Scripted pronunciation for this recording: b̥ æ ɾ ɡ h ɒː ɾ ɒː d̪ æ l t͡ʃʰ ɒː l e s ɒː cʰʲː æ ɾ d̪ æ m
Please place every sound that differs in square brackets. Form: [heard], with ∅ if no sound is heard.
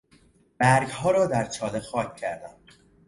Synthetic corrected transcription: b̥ æ ɾ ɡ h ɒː ɾ ɒː d̪ æ [ɾ] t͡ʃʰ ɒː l e [x] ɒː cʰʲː æ ɾ d̪ æ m

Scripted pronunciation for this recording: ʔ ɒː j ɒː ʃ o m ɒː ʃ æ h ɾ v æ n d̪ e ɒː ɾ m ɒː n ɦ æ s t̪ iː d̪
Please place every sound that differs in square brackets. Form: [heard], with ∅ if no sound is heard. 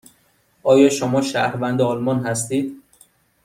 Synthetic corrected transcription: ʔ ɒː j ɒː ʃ o m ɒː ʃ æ h ɾ v æ n d̪ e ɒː [l] m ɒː n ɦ æ s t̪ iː d̪

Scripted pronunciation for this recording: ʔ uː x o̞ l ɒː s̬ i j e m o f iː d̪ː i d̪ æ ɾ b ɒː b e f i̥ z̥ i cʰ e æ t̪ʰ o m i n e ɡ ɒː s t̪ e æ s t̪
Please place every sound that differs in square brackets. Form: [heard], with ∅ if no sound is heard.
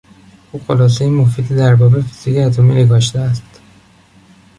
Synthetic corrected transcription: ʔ uː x o̞ l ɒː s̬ [e] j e m o f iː [d̪] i d̪ æ ɾ b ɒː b e f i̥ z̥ i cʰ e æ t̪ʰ o m i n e ɡ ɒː [ʃ] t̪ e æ s t̪

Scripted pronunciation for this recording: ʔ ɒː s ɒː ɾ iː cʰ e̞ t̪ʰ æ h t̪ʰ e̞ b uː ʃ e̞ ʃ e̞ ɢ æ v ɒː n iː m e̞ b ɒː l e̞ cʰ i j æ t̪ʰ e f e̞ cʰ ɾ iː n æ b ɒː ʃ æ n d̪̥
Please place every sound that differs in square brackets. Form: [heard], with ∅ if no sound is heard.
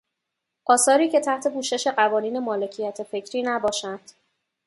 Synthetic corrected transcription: ʔ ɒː s ɒː ɾ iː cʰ e̞ t̪ʰ æ h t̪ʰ e̞ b uː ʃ e̞ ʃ e̞ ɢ æ v ɒː n iː [n] e̞ [m] ɒː l e̞ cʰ i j æ t̪ʰ e f e̞ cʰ ɾ iː n æ b ɒː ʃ æ n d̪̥

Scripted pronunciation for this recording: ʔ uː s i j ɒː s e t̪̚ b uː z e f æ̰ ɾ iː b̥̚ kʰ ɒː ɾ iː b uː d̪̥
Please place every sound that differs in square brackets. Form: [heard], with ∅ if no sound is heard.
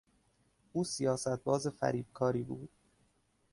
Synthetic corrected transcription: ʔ uː s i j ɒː s [æ] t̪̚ b [ɒː] z e f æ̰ ɾ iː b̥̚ kʰ ɒː ɾ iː b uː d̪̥

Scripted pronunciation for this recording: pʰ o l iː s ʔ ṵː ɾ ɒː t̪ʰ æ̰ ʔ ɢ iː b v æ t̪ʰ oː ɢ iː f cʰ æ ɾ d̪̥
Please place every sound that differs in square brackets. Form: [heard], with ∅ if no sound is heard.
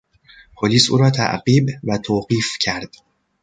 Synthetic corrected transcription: pʰ o l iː s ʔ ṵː ɾ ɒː t̪ʰ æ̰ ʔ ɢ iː b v æ t̪ʰ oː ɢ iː f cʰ æ ɾ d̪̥

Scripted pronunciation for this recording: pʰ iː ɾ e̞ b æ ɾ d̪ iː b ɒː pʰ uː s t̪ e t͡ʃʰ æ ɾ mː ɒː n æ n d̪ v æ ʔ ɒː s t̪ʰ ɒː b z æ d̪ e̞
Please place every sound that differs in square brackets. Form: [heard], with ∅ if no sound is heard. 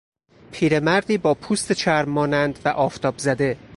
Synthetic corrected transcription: pʰ iː ɾ e̞ [m] æ ɾ d̪ iː b ɒː pʰ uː s t̪ e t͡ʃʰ æ ɾ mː ɒː n æ n d̪ v æ ʔ ɒː [f] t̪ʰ ɒː b z æ d̪ e̞

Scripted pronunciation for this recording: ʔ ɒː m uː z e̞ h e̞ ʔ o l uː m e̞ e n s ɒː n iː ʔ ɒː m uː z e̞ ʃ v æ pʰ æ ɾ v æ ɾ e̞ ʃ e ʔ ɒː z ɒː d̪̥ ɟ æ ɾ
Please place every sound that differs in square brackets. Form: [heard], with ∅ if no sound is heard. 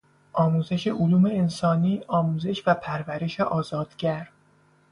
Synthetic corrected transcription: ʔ ɒː m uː z e̞ [ʃ] e̞ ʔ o l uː m e̞ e n s ɒː n iː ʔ ɒː m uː z e̞ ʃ v æ pʰ æ ɾ v æ ɾ e̞ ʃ e ʔ ɒː z ɒː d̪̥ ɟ æ ɾ

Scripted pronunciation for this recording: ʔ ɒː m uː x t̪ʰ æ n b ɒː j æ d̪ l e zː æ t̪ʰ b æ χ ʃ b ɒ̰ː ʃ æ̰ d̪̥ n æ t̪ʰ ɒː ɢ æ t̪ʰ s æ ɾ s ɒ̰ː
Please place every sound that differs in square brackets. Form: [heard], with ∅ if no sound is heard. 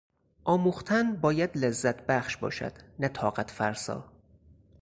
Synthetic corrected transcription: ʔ ɒː m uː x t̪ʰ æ n b ɒː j æ d̪ l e zː æ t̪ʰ b æ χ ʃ b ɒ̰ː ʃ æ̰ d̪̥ n æ t̪ʰ ɒː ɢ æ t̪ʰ [f] æ ɾ s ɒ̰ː

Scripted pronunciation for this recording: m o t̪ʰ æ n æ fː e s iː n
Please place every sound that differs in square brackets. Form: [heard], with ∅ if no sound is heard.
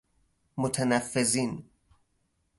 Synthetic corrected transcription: m o t̪ʰ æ n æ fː e [z] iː n

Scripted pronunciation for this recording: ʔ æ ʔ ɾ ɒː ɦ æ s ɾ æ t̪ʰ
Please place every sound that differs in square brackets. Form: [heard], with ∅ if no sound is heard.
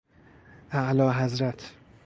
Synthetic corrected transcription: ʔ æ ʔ [l] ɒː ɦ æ [z] ɾ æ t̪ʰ

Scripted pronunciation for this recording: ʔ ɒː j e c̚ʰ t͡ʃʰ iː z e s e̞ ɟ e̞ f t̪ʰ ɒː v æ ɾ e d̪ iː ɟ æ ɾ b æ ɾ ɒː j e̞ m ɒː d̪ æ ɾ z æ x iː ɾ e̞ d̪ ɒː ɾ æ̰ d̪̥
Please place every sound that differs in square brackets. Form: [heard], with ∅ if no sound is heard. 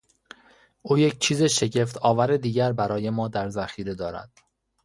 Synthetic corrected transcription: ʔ [uː] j e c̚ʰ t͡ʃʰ iː z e [ʃ] e̞ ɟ e̞ f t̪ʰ ɒː v æ ɾ e d̪ iː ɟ æ ɾ b æ ɾ ɒː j e̞ m ɒː d̪ æ ɾ z æ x iː ɾ e̞ d̪ ɒː ɾ æ̰ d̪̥

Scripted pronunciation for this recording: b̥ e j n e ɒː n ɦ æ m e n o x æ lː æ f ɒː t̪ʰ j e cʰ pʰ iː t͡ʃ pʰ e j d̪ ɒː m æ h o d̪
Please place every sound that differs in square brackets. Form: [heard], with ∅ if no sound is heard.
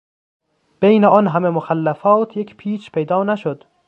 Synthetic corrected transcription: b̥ e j n e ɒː n ɦ æ m e [m] o x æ lː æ f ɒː t̪ʰ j e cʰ pʰ iː t͡ʃ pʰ e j d̪ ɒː [n] æ [ʃ] o d̪

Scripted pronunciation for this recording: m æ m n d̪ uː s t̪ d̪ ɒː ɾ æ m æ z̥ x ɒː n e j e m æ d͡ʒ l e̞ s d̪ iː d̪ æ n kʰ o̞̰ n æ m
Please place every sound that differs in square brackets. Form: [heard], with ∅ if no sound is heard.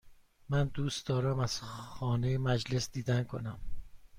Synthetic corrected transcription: m æ [∅] n d̪ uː s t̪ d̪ ɒː ɾ æ m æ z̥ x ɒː n e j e m æ d͡ʒ l e̞ s d̪ iː d̪ æ n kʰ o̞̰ n æ m

